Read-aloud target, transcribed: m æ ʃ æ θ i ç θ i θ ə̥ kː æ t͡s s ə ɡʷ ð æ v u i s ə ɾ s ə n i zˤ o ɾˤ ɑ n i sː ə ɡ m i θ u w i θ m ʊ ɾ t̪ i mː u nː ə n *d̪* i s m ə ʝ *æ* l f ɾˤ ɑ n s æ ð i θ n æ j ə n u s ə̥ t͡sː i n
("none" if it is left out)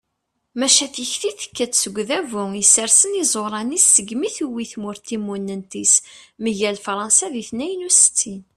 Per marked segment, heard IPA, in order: t̪, æ

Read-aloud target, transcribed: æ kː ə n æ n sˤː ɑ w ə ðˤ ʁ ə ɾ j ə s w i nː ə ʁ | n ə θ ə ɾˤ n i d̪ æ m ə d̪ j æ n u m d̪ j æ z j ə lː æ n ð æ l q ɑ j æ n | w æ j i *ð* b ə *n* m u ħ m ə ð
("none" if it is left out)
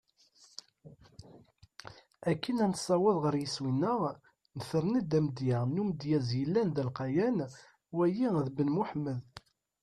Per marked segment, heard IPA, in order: ð, n

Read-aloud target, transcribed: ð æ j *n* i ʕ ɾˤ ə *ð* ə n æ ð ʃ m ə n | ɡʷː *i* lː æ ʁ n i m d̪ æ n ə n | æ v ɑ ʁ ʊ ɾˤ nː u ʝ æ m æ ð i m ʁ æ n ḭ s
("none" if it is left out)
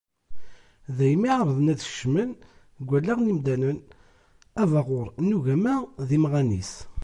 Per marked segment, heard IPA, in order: m, ð, æ

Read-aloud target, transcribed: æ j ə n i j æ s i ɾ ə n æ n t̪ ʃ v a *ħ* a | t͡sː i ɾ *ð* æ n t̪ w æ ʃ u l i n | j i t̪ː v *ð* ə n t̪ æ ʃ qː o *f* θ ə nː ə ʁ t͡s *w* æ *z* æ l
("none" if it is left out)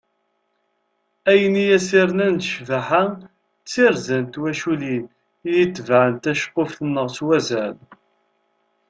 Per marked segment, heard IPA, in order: ħ, z, ʕ, f, w, z

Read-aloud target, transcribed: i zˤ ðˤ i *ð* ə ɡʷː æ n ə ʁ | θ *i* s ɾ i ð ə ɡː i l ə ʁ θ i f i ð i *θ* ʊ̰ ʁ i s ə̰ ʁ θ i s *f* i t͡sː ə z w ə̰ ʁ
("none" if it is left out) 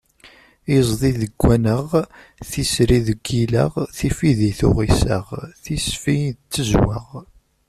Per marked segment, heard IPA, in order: ð, i, θ, f

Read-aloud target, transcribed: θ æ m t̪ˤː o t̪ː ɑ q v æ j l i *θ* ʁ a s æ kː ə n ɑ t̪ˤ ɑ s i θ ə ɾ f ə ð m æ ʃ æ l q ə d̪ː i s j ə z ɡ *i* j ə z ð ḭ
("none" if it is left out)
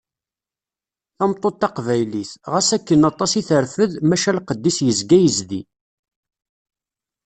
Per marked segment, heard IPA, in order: θ, æ

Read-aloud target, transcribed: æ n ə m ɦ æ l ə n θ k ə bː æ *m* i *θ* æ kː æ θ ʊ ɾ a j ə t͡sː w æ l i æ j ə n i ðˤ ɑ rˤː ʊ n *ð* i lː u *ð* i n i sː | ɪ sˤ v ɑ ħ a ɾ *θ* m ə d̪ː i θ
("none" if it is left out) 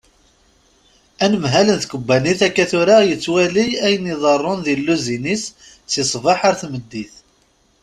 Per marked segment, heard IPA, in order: n, θ, ð, z, θ

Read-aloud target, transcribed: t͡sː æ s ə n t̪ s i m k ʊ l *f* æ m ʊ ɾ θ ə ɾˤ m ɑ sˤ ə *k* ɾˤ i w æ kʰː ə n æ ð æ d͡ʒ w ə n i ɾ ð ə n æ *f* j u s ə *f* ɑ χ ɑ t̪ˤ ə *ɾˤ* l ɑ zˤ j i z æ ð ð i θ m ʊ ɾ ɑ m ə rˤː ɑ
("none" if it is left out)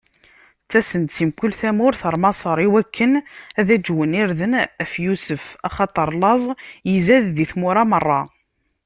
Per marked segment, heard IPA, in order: θ, none, f, f, ɾˤ

